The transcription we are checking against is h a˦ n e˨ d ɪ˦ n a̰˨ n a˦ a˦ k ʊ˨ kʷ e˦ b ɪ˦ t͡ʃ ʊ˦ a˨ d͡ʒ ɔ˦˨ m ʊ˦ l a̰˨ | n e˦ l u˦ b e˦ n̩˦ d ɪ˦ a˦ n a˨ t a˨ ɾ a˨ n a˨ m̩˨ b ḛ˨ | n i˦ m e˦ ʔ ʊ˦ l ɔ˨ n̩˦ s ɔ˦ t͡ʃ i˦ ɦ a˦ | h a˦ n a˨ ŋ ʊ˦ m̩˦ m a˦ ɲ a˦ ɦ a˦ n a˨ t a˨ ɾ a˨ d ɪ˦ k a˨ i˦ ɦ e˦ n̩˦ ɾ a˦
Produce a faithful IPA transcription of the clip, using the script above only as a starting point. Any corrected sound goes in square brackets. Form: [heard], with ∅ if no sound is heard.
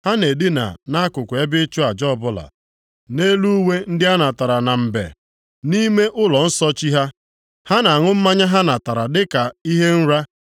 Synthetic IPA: h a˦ n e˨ d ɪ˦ n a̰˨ n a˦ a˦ k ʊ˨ kʷ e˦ b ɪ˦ t͡ʃ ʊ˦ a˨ d͡ʒ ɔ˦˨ [b] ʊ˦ l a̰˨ | n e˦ l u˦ [w] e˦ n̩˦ d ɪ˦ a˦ n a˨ t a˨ ɾ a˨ n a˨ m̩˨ b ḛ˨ | n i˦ m e˦ ʔ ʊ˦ l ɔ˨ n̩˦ s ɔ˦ t͡ʃ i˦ ɦ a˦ | h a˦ n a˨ ŋ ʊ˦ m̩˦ m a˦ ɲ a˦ ɦ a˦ n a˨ t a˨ ɾ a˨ d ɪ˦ k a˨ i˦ ɦ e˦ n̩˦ ɾ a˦